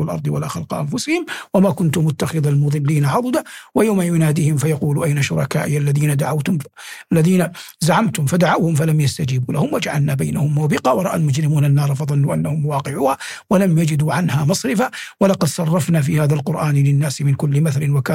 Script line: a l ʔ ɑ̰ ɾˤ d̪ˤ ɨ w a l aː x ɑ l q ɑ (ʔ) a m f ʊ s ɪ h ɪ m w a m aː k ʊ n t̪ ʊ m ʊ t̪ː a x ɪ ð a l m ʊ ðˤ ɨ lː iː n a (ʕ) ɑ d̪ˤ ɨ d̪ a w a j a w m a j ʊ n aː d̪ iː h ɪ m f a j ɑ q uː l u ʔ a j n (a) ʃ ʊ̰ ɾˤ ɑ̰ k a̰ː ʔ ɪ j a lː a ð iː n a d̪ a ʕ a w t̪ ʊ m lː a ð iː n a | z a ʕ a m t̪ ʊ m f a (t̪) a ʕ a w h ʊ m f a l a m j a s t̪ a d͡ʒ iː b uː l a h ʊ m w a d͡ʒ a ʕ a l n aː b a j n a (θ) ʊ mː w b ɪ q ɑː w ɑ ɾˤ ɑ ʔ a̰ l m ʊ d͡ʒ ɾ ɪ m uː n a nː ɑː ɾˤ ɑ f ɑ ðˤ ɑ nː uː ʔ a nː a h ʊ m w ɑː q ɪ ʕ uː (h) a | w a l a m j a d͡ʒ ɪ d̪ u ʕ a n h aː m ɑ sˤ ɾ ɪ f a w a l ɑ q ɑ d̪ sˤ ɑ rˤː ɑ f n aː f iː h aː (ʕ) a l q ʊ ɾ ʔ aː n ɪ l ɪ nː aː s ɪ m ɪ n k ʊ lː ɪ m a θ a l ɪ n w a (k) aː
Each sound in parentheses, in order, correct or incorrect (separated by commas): correct, correct, correct, incorrect, incorrect, correct, incorrect, correct